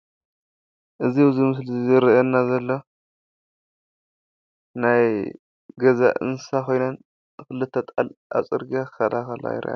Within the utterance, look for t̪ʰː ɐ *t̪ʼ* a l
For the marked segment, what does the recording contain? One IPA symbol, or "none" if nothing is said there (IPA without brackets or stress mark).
t̪ʼ